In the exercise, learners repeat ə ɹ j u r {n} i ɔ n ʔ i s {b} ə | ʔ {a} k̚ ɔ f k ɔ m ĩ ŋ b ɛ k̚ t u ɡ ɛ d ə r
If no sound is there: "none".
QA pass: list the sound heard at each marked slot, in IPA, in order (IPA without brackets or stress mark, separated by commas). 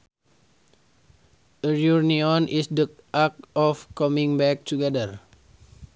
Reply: n, d, a